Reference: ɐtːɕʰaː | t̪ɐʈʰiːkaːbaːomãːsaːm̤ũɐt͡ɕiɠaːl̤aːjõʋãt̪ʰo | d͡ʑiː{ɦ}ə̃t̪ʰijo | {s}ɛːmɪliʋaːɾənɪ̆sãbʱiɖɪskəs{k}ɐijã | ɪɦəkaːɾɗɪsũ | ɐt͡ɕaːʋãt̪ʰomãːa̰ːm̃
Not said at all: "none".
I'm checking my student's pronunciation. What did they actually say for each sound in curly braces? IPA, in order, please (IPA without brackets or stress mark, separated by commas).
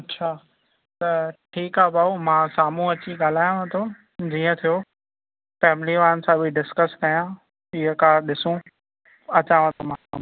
none, f, k